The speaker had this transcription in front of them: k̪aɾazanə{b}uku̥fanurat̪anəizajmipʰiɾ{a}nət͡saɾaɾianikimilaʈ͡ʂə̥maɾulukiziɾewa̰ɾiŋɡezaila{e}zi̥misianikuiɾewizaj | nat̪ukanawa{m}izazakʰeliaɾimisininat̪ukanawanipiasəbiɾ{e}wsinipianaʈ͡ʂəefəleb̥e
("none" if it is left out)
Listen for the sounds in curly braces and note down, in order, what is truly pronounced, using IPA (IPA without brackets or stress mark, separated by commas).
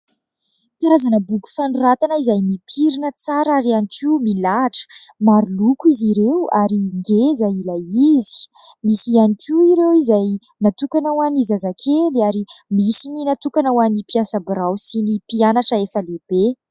b, i, i, n, a